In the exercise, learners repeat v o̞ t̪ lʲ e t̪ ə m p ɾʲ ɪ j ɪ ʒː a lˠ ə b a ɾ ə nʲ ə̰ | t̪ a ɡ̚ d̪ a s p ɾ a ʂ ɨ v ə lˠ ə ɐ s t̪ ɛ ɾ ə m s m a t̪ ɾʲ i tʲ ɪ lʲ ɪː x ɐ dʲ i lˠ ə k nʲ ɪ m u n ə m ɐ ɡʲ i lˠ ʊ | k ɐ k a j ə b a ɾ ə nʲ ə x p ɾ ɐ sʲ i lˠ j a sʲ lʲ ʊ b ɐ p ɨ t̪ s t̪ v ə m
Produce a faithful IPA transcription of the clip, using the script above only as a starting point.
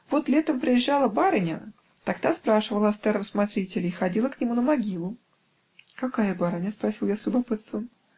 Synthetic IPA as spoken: v o̞ t̪ lʲ e t̪ ə m p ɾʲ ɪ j ɪ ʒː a lˠ ə b a ɾ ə nʲ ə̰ | t̪ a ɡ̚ d̪ a s p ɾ a ʂ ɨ v ə lˠ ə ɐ s t̪ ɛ ɾ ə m s m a t̪ ɾʲ i tʲ ɪ lʲ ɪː x ɐ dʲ i lˠ ə k nʲ ɪ m u n ə m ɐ ɡʲ i lˠ ʊ | k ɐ k a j ə b a ɾ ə nʲ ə s p ɾ ɐ sʲ i lˠ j a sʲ lʲ ʊ b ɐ p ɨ t̪ s t̪ v ə m

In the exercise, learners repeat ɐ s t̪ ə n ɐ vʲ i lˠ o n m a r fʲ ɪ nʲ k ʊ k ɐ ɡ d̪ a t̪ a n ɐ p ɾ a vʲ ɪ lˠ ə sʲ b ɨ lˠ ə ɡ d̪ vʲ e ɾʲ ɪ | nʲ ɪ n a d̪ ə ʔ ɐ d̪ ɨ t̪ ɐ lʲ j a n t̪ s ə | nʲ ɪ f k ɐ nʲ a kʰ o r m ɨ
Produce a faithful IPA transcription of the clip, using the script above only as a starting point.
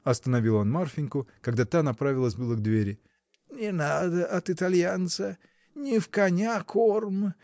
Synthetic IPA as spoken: ɐ s t̪ ə n ɐ vʲ i lˠ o n m a r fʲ ɪ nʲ k ʊ k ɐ ɡ d̪ a t̪ a n ɐ p ɾ a vʲ ɪ lˠ ə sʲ b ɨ lˠ ə ɡ d̪ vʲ e ɾʲ ɪ | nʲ ɪ n a d̪ ə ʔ ɐ t̪ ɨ t̪ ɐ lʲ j a n t̪ s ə | nʲ ɪ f k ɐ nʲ a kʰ o r m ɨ

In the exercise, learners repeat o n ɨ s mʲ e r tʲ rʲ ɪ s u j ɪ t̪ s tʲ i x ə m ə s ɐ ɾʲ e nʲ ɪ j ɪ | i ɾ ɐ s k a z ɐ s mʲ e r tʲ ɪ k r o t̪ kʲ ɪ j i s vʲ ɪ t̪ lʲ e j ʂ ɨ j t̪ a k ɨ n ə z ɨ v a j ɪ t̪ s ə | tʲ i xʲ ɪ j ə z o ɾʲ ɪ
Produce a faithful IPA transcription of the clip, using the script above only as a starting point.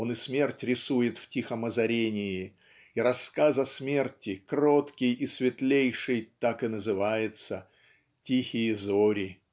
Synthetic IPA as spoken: o n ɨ s mʲ e r tʲ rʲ ɪ s u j ɪ t̪ f tʲ i x ə m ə z ɐ ɾʲ e nʲ ɪ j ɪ | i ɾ ɐ s k a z ɐ s mʲ e r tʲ ɪ k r o t̪ kʲ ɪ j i s vʲ ɪ t̪ lʲ e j ʂ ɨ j t̪ a k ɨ n ə z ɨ v a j ɪ t̪ s ə | tʲ i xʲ ɪ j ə z o ɾʲ ɪ

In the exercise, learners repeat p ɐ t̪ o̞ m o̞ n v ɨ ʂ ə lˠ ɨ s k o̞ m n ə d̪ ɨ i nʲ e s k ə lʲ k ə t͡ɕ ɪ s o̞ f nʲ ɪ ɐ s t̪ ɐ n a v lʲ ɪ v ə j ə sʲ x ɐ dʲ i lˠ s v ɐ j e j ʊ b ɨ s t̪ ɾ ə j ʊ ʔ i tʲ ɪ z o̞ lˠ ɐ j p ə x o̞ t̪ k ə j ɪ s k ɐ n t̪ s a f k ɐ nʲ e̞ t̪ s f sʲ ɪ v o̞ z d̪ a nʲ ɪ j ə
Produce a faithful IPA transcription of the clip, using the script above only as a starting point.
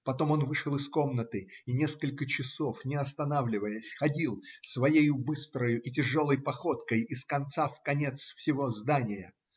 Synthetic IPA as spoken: p ɐ t̪ o̞ m o̞ n v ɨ ʂ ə lˠ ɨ s k o̞ m n ə t̪ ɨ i nʲ e s k ə lʲ k ə t͡ɕ ɪ s o̞ f nʲ ɪ ɐ s t̪ ɐ n a v lʲ ɪ v ə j ə sʲ x ɐ dʲ i lˠ s v ɐ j e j ʊ b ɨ s t̪ ɾ ə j ʊ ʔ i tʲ ɪ ʐ o̞ lˠ ə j p ɐ x o̞ t̪ k ə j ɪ s k ɐ n t̪ s a f k ɐ nʲ e̞ t̪ s f sʲ ɪ v o̞ z d̪ a nʲ ɪ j ə

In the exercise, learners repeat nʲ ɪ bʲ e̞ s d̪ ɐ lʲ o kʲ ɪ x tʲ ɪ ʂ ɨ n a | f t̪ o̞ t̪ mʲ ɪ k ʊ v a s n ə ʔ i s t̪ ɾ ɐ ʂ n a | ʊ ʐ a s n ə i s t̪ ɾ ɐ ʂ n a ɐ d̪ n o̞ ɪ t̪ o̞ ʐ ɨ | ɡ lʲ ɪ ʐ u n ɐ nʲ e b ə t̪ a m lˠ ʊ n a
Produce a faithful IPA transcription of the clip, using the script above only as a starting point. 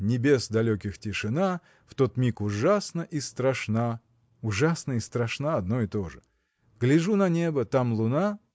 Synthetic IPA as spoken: nʲ ɪ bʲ e̞ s d̪ ɐ lʲ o kʲ ɪ x tʲ ɪ ʂ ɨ n a | f t̪ o̞ t̪ mʲ i k ʊ ʐ a s n ə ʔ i s t̪ ɾ ɐ ʂ n a | ʊ ʐ a s n ə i s t̪ ɾ ɐ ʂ n a ɐ d̪ n o̞ ɪ t̪ o̞ ʐ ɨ | ɡ lʲ ɪ ʐ u n ɐ nʲ e b ə t̪ a m lˠ ʊ n a

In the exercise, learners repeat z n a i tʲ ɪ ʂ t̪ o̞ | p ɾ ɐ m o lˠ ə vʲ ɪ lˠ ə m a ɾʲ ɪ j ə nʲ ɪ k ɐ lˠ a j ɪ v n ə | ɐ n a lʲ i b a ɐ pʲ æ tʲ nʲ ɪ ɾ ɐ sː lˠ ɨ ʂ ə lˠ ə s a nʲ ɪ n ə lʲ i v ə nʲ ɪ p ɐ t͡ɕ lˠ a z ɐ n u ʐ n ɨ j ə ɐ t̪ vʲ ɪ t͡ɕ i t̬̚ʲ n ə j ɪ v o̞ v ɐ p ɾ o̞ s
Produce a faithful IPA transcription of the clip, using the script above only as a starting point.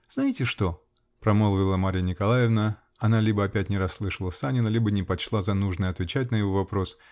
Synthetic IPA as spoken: z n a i tʲ ɪ ʂ t̪ o̞ | p ɾ ɐ m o lˠ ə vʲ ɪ lˠ ə m a ɾʲ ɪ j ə nʲ ɪ k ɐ lˠ a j ɪ v n ə | ɐ n a lʲ i b ə ɐ pʲ æ tʲ nʲ ɪ ɾ ɐ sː lˠ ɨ ʂ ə lˠ ə s a nʲ ɪ n ə lʲ i b ə nʲ ɪ p ɐ t͡ɕ lˠ a z ɐ n u ʐ n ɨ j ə ɐ t̪ vʲ ɪ t͡ɕ æ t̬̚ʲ n ə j ɪ v o̞ v ɐ p ɾ o̞ s

